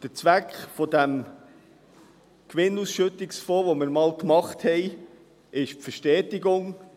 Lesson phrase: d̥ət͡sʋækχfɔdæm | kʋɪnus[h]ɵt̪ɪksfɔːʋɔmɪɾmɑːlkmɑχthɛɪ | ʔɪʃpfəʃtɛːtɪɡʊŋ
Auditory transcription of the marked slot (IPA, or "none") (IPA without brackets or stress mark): ʃ